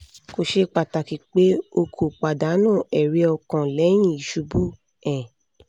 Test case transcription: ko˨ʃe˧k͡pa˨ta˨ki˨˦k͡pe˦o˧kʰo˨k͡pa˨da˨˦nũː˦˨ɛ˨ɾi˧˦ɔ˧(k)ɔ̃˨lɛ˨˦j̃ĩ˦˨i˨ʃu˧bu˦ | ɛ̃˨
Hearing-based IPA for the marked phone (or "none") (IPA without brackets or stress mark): k